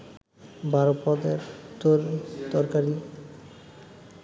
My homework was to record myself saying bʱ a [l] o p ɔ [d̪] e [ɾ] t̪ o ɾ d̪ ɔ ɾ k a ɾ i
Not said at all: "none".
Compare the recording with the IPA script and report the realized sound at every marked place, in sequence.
ɾ, d̪, ɾ

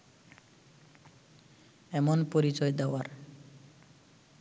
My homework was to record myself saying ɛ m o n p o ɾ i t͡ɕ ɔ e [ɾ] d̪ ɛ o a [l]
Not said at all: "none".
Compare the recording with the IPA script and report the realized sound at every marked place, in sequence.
none, ɾ

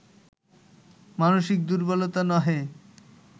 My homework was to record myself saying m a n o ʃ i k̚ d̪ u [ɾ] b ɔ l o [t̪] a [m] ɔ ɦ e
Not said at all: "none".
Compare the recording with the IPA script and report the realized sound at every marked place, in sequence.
ɾ, t̪, n

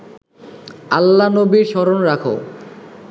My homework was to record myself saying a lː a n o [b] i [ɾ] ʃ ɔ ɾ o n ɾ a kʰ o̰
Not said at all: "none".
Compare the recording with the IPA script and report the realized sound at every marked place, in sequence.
b, ɾ

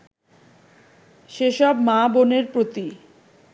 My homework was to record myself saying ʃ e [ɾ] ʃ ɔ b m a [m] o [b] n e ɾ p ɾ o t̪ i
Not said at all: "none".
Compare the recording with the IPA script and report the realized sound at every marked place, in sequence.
none, b, none

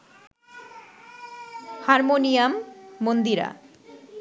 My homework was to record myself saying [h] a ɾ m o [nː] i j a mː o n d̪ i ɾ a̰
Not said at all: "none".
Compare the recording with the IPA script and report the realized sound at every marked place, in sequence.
h, n

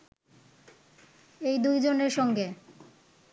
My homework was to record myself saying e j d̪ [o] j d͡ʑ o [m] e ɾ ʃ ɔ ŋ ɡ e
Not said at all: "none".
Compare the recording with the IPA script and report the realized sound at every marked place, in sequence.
u, n

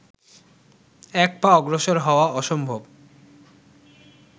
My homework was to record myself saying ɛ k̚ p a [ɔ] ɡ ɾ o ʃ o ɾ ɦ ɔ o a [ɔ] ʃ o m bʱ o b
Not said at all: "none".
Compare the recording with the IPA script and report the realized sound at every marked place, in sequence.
ɔ, ɔ

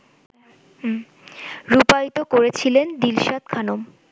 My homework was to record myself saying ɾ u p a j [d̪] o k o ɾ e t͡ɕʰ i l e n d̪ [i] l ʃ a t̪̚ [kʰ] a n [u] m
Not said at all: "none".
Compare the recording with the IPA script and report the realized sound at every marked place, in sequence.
t̪, i, kʰ, o

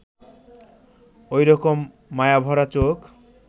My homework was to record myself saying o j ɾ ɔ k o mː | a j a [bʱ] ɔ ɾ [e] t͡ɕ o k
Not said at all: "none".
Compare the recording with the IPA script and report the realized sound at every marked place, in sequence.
bʱ, a

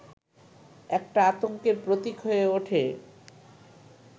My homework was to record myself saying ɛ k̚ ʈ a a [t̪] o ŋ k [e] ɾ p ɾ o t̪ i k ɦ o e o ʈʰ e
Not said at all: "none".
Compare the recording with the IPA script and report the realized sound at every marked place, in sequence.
t̪, e

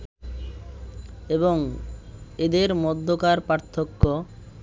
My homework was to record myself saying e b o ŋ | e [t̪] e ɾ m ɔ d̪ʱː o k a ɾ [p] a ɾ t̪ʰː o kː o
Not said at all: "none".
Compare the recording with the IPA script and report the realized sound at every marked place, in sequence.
d̪, p

